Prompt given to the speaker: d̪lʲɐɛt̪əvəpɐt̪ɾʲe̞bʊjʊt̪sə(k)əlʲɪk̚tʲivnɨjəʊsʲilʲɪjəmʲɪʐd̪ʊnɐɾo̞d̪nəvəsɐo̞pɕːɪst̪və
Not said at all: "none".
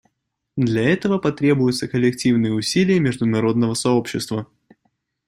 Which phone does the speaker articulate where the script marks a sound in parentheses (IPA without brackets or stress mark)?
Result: k